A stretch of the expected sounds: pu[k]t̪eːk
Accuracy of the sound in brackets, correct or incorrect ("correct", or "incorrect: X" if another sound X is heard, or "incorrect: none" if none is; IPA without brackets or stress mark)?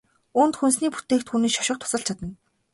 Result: incorrect: none